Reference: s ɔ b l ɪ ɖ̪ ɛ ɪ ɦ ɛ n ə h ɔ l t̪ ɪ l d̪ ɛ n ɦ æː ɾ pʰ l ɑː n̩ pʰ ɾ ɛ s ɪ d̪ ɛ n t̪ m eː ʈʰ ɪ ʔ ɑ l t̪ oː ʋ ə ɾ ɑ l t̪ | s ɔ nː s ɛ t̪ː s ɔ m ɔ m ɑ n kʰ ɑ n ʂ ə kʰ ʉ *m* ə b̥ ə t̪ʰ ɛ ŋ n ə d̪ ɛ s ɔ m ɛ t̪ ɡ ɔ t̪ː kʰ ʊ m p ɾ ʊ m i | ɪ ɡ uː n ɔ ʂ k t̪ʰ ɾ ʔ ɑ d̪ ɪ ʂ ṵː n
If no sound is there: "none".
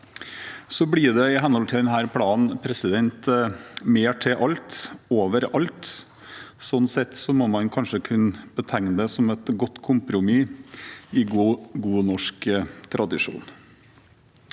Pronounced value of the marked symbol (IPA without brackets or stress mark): n